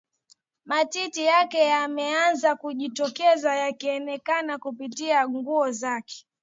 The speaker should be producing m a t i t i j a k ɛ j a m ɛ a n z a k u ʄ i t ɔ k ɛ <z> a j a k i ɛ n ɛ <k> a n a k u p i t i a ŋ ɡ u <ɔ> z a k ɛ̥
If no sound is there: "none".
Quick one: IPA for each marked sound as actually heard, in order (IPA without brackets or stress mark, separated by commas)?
z, k, ɔ